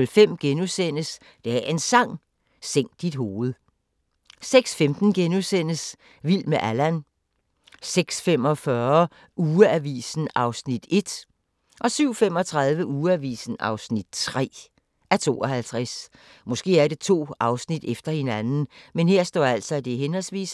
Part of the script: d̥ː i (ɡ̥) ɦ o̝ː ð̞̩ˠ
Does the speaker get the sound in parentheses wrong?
yes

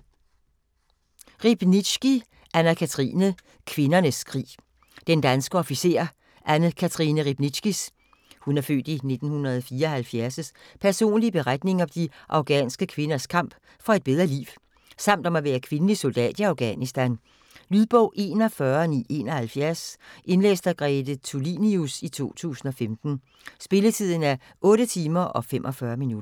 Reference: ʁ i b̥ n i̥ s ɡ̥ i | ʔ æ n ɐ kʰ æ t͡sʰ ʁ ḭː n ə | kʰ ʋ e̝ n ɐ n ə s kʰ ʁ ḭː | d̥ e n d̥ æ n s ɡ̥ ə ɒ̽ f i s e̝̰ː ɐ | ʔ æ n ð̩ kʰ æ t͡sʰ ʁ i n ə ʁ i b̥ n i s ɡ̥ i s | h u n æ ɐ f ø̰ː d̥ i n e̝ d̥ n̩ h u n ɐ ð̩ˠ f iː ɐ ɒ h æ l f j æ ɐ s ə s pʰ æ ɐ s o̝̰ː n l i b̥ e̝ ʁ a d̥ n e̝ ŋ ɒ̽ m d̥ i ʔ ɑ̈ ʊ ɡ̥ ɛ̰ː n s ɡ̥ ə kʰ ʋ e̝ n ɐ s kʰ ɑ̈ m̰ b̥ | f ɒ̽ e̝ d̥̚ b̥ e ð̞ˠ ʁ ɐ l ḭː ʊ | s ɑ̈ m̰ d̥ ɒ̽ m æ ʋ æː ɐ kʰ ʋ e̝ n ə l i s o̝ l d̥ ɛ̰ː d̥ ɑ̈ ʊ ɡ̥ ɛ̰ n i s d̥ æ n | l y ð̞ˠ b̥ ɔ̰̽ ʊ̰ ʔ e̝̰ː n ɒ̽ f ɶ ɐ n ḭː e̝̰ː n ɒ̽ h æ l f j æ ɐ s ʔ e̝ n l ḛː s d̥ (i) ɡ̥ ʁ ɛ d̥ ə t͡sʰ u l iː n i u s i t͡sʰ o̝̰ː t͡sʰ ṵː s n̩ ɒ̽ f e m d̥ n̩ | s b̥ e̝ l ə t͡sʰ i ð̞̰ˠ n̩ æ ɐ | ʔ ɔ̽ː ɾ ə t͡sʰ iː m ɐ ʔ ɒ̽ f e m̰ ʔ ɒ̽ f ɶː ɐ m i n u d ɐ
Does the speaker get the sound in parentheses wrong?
yes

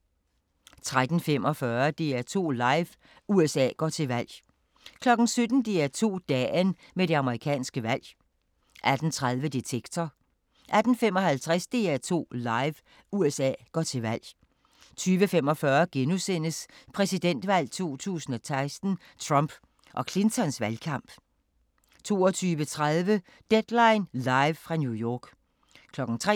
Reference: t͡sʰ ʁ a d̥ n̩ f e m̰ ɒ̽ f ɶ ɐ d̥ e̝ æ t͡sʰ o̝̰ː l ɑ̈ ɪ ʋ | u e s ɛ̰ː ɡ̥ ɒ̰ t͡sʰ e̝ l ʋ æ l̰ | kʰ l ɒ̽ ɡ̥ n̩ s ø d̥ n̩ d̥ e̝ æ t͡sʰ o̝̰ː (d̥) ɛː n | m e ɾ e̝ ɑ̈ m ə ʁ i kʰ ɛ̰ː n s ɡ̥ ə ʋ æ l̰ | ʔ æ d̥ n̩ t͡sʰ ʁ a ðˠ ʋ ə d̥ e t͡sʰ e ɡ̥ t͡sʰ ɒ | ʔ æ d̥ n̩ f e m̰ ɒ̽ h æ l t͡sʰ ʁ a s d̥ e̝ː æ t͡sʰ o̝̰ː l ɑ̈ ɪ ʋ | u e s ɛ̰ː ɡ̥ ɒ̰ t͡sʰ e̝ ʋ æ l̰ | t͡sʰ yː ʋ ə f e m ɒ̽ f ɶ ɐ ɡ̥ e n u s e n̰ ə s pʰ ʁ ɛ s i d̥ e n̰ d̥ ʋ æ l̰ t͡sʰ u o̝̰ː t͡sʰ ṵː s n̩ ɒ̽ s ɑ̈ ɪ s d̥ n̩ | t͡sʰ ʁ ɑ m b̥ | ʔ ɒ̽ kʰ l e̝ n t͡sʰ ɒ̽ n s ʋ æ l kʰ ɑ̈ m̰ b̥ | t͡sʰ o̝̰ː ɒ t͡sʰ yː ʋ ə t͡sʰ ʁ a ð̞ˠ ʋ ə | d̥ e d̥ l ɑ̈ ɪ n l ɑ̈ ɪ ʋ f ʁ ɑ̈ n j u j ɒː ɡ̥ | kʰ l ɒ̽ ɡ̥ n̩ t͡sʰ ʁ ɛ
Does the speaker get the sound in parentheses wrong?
no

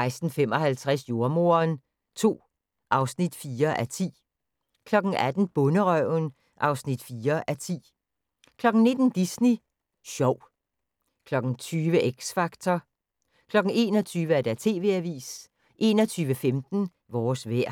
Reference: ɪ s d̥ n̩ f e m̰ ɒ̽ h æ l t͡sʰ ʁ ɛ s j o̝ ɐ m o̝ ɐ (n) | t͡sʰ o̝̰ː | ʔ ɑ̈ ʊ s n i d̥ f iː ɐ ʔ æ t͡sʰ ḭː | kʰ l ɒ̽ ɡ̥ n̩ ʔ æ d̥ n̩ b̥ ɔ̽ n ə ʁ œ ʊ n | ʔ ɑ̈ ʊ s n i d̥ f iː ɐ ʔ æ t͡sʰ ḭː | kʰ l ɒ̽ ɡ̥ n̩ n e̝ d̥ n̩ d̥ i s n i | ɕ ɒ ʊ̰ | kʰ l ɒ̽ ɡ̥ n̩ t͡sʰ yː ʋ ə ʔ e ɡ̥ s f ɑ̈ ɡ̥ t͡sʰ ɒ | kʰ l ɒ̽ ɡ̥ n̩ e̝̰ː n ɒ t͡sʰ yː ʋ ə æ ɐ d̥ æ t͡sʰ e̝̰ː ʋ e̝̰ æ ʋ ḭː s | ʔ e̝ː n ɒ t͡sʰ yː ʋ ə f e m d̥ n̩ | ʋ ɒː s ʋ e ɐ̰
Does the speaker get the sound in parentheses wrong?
no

